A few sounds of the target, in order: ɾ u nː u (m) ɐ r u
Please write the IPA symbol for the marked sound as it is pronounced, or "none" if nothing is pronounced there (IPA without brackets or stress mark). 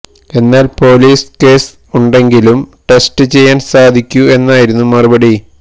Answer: m